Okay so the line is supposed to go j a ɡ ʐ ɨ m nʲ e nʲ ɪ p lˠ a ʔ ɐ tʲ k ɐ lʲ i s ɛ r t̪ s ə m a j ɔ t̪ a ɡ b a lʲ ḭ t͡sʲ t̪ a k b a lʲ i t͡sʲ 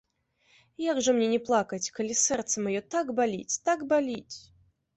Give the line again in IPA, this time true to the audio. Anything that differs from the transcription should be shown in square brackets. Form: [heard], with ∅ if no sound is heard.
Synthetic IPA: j a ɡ ʐ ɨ m nʲ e nʲ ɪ p lˠ a [k] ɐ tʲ k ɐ lʲ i s ɛ r t̪ s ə m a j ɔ t̪ a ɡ b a lʲ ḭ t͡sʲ t̪ a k b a lʲ i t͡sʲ